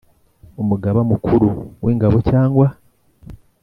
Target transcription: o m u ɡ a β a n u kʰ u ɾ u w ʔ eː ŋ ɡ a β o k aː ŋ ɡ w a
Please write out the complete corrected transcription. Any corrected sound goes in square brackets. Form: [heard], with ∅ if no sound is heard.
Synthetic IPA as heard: o m u ɡ a β a [m] u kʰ u ɾ u w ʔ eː ŋ ɡ a β o [c] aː ŋ ɡ w a

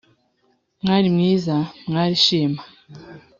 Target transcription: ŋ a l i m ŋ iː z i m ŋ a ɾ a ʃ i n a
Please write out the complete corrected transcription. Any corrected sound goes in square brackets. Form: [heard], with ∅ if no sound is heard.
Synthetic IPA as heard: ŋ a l i m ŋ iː z [a] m ŋ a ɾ [i] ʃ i [m] a

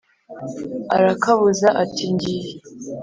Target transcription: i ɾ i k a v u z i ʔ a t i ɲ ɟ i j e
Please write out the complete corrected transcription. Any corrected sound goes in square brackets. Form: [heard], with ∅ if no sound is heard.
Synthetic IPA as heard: [a] ɾ [a] k a [β] u z [a] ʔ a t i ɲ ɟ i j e

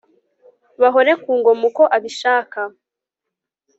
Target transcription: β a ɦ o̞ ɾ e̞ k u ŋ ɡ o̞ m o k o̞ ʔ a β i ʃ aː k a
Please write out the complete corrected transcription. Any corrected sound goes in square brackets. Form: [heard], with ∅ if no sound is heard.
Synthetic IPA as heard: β a ɦ o̞ ɾ e̞ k [uː] ŋ ɡ o̞ m [u] k o̞ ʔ a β i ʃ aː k a

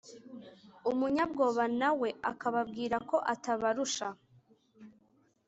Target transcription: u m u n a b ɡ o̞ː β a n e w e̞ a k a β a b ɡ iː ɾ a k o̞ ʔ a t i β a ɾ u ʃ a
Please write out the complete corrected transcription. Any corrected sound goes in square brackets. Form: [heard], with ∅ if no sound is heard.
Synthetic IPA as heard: u m u [ɲ] a b ɡ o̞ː β a n [a] w e̞ a k a β a b ɡ iː ɾ a k o̞ ʔ a t [a] β a ɾ u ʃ a

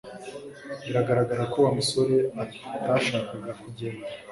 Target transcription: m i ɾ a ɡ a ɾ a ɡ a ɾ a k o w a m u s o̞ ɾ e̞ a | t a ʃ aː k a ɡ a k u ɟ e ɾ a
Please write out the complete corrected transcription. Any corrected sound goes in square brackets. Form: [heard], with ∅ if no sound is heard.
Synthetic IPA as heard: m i ɾ a ɡ a ɾ a ɡ a ɾ a k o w a m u s o̞ ɾ e̞ a | t a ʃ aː k a ɡ a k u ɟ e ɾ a

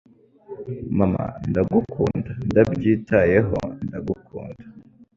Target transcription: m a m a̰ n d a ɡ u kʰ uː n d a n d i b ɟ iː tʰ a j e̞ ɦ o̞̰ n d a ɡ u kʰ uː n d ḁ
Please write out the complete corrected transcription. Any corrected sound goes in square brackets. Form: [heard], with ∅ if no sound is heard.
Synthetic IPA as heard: m a m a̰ n d a ɡ u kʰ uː n d a n d [a] b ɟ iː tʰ a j e̞ ɦ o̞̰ n d a ɡ u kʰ uː n d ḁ

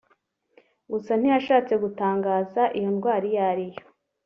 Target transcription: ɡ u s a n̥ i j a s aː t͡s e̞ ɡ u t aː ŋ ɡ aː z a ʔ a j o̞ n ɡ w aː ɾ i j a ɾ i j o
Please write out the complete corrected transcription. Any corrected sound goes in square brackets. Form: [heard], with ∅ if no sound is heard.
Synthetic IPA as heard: ɡ u s a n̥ i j a [ʃ] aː t͡s e̞ ɡ u t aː ŋ ɡ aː z a ʔ [i] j o̞ n ɡ w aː ɾ i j a ɾ i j o

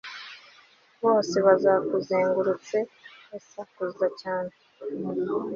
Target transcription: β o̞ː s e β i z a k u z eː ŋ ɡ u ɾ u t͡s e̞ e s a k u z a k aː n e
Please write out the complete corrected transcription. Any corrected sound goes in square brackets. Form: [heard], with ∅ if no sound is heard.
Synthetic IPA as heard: β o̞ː s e β [a] z a k u z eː ŋ ɡ u ɾ u t͡s e̞ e s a k u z a [c] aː n e

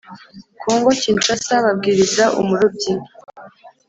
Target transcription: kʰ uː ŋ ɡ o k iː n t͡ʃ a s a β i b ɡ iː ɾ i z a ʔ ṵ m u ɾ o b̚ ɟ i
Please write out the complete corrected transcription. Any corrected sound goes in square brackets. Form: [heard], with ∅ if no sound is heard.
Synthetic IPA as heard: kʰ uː ŋ ɡ o [c] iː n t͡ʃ a s a β [a] b ɡ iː ɾ i z a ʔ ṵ m u ɾ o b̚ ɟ i

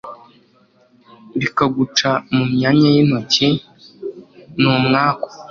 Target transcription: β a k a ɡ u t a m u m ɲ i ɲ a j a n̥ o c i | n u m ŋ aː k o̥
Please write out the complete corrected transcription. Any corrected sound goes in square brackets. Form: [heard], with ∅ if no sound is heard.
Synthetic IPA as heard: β [i] k a ɡ u [t͡ʃ] a m u m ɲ [a] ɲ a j [i] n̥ o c i | n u m ŋ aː k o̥

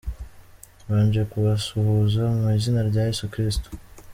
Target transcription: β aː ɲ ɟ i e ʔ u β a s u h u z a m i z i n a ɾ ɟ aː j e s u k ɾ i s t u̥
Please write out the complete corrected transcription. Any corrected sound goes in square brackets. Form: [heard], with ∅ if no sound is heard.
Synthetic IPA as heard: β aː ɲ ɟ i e [k] u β a s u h u z a m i z i n a ɾ ɟ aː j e s u k ɾ i s t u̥

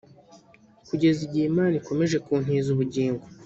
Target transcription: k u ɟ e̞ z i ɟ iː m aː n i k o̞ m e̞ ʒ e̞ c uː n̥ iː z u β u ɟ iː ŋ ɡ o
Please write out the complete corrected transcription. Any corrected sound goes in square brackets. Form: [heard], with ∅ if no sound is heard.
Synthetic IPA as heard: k u ɟ e̞ z i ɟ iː m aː n i k o̞ m e̞ ʒ e̞ [k] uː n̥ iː z u β u ɟ iː ŋ ɡ o

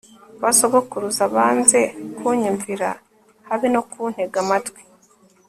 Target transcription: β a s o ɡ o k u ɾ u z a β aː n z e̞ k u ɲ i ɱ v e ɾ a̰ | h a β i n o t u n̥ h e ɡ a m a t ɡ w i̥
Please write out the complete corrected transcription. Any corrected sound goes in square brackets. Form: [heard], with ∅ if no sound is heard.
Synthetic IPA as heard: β a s o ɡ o k u ɾ u z a β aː n z e̞ k u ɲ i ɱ v [i] ɾ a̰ | h a β i n o [k] u n̥ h e ɡ a m a t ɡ w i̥

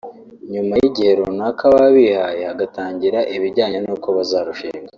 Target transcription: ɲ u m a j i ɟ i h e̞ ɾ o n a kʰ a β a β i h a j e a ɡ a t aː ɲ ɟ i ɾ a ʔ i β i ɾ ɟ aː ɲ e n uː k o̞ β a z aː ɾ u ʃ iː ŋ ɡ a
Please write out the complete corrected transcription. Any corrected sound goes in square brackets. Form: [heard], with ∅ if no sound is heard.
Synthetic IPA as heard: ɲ u m a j i ɟ i h e̞ ɾ o n a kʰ a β a β i h a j e a ɡ a t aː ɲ ɟ i ɾ a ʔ i β i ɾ ɟ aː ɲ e n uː k o̞ β a z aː ɾ u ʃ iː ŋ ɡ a

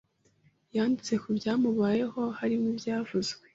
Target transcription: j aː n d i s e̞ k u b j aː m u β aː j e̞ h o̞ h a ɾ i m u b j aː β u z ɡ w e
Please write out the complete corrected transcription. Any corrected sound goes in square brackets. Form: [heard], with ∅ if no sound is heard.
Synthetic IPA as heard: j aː n d i [t͡s] e̞ k u b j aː m u β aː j e̞ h o̞ h a ɾ i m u b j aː [v] u z ɡ w e

